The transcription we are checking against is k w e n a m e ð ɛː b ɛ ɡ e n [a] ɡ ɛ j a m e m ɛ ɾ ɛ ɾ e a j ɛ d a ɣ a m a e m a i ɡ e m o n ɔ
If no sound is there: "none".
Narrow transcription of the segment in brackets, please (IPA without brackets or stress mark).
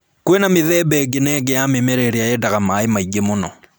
ɛ